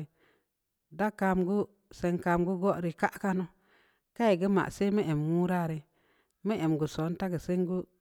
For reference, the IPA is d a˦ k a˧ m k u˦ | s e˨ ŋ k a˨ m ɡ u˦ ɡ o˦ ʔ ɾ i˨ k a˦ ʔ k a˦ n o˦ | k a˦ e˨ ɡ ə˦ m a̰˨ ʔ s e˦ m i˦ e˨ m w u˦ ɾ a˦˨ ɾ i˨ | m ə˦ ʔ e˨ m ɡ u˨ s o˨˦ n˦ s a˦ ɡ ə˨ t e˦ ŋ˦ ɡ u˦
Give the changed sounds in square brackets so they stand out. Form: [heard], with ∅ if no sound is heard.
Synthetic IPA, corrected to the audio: d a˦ k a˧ m [ɡ] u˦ | s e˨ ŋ k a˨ m ɡ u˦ ɡ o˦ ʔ ɾ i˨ k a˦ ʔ k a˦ n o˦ | k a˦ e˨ ɡ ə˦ m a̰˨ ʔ s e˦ m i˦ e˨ m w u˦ ɾ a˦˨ ɾ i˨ | m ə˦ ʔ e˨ m ɡ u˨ s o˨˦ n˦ [t] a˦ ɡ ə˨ [s] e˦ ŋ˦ ɡ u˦

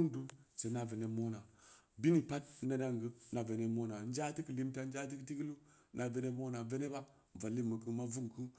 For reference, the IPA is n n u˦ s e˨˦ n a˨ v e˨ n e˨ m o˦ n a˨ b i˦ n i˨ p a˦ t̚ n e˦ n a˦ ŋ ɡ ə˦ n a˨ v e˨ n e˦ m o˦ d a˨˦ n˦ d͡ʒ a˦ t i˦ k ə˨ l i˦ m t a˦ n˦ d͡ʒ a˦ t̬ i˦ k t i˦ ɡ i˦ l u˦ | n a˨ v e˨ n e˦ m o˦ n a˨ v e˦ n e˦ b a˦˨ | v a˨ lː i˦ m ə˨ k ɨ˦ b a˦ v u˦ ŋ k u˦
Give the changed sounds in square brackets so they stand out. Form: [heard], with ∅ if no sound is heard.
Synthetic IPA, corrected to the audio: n [d] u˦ s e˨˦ n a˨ v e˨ n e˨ m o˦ n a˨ b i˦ n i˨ p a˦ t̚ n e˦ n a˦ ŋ ɡ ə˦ n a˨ v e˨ n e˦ m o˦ [n] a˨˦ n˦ d͡ʒ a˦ t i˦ k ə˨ l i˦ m t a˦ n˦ d͡ʒ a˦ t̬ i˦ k t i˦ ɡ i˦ l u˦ | n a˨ v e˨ n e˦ m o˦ n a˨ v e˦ n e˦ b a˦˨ | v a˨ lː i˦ m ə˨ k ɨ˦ [m] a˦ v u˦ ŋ k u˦

